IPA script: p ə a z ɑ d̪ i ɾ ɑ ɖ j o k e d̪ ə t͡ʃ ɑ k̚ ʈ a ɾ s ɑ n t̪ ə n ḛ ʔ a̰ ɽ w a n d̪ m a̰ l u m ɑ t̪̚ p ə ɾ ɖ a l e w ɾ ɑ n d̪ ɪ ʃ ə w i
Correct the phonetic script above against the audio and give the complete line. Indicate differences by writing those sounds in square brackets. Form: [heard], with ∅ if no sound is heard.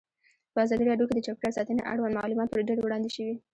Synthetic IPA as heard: p ə a z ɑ d̪ i ɾ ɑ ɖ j o k e d̪ ə t͡ʃ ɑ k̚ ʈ a ɾ s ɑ [∅] t̪ ə n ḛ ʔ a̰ ɽ w a n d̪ m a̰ l u m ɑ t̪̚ p ə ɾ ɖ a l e w [ɽ] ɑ n d̪ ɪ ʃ ə w i